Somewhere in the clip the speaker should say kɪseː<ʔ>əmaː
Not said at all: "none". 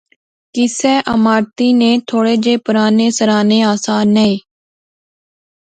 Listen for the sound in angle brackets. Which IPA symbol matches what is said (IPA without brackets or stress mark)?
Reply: ʔ